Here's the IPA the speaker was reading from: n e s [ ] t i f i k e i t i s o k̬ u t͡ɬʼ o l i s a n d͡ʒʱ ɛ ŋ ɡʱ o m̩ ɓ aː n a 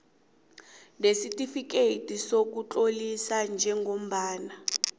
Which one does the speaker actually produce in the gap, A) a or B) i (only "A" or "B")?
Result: B